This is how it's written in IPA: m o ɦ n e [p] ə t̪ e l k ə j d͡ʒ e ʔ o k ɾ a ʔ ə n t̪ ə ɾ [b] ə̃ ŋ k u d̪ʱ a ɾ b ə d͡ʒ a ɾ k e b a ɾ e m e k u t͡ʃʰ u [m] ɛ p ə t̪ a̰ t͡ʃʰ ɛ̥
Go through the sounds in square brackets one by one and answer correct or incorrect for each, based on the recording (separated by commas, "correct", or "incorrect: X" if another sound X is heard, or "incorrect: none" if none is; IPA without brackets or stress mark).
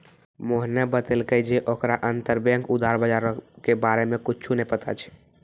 incorrect: b, correct, incorrect: n